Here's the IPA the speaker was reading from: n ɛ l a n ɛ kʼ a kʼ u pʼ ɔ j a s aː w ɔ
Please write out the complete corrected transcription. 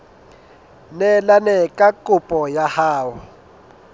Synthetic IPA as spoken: n ɛ l a n ɛ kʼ a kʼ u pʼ ɔ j a h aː w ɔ